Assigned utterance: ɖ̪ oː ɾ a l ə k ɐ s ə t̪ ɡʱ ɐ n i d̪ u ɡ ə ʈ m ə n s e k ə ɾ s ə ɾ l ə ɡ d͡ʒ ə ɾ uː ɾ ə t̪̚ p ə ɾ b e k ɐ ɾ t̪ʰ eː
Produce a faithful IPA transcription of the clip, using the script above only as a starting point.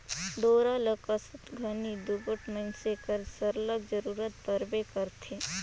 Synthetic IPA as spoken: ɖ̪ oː ɾ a l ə k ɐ s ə t̪ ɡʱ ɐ n i d̪ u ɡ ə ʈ m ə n s e k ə ɾ s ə ɾ l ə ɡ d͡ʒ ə ɾ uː ɾ ə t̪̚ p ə ɾ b e k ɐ ɾ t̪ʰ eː